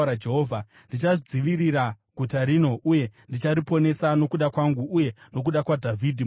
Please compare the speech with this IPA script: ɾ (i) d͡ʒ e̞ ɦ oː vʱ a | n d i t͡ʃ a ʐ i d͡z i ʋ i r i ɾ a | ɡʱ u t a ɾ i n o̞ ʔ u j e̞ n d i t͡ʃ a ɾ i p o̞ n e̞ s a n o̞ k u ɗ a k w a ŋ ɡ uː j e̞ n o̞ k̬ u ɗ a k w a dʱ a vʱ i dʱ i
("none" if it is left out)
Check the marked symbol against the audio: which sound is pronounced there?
a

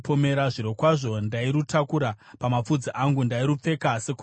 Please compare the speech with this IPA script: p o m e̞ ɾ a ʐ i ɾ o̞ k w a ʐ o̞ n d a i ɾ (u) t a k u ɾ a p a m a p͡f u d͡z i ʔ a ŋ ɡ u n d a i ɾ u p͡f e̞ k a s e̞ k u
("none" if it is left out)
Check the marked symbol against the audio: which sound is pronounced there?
u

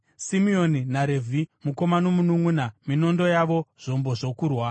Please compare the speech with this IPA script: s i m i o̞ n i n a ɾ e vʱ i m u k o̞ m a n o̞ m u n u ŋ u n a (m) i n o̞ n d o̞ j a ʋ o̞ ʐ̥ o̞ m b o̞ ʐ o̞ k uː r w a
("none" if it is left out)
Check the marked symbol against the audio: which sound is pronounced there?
m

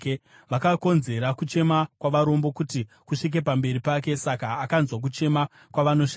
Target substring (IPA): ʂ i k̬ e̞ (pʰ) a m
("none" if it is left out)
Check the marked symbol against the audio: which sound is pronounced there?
p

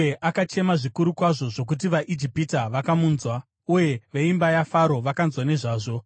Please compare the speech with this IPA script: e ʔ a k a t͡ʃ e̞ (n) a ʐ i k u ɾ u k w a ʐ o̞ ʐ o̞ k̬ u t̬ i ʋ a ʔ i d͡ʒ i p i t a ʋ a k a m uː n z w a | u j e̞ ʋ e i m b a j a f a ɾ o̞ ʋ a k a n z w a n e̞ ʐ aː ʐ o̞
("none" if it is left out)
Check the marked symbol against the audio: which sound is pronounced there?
m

